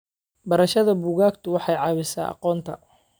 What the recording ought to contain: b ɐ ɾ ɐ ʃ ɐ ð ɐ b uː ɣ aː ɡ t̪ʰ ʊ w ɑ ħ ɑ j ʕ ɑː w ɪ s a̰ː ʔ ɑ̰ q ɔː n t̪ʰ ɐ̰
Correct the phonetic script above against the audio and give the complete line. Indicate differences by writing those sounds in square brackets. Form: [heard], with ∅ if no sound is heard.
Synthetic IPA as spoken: b ɐ ɾ ɐ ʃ ɐ ð ɐ b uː ɣ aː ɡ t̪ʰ ʊ w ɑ ħ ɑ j ʕ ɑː [β] ɪ s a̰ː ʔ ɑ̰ q ɔː n t̪ʰ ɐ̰